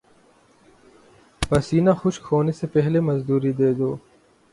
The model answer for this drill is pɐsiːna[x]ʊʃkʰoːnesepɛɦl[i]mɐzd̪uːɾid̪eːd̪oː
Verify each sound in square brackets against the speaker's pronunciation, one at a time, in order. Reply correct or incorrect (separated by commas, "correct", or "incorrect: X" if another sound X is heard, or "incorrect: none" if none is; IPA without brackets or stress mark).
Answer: correct, incorrect: e